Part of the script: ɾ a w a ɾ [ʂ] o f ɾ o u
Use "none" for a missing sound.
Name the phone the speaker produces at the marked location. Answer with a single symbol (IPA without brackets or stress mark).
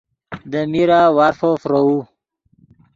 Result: f